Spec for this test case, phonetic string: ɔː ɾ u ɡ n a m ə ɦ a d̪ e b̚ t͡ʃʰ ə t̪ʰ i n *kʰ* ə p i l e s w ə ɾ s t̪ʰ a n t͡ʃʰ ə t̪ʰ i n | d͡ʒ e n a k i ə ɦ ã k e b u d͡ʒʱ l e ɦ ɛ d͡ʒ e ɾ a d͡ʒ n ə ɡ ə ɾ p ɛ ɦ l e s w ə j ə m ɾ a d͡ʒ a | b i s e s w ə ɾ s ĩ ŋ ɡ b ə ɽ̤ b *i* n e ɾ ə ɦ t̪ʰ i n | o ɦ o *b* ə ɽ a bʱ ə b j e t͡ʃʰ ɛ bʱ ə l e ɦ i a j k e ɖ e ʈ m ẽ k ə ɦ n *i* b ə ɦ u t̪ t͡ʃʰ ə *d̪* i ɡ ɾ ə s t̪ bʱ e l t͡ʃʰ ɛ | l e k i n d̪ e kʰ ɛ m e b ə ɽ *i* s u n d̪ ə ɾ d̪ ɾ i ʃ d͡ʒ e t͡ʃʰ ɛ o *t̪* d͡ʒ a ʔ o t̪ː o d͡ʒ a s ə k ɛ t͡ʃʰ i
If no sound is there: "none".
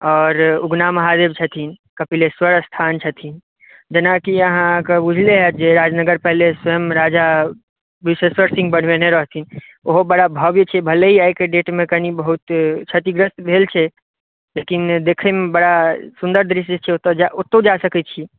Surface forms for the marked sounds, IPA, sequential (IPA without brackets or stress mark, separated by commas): k, e, b, i, t̪, a, t̪